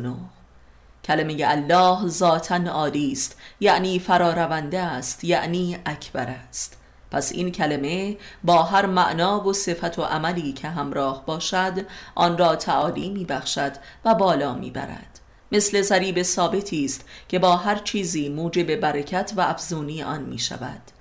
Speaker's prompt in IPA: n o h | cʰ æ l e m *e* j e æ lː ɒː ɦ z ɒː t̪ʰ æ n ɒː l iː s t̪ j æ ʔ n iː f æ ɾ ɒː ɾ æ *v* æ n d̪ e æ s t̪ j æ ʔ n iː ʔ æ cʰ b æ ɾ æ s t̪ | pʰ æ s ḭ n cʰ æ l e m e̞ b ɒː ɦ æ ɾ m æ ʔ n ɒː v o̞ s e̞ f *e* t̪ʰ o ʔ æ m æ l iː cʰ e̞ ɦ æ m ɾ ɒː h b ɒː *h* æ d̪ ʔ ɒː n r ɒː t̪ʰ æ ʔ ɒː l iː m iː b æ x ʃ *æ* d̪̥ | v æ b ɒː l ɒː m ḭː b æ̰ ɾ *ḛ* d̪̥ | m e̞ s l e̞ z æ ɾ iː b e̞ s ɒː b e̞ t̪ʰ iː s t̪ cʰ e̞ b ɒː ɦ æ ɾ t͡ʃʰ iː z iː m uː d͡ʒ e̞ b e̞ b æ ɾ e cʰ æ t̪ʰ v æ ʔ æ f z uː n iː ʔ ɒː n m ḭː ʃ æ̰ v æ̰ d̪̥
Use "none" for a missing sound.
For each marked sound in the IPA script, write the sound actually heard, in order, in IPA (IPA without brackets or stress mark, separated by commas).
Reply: e, v, æ, ʃ, æ, æ̰